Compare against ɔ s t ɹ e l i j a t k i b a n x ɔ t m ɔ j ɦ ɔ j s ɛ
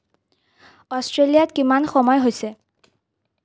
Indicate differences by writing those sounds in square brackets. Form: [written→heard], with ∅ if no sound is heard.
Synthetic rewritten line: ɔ s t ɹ e l i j a t k i [b→m] a n x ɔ [t→∅] m ɔ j ɦ [ɔ→o] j s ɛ